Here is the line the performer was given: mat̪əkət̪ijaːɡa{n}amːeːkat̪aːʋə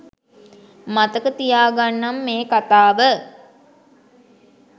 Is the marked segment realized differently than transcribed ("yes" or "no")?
yes